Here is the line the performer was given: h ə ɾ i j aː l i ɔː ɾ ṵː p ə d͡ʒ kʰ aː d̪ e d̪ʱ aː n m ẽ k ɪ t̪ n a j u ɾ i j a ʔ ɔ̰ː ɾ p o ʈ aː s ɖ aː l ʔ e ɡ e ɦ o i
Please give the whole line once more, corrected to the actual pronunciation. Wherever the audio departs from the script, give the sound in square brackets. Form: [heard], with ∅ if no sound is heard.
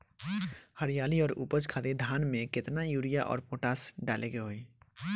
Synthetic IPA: h ə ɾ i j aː l i ɔː ɾ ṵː p ə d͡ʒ kʰ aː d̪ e d̪ʱ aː n m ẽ k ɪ t̪ n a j u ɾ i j a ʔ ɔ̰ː ɾ p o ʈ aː s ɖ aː l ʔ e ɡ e ɦ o i